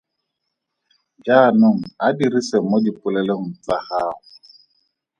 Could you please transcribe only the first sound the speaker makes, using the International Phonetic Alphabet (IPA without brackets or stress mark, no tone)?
d͡ʒ